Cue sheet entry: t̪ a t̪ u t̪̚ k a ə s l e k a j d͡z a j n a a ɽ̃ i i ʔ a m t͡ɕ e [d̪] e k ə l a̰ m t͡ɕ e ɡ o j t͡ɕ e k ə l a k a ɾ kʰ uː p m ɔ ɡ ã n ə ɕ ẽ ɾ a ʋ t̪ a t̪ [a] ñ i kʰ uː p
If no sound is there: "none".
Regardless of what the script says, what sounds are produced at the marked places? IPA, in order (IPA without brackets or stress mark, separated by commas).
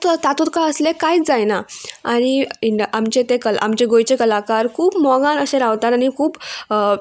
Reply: t̪, a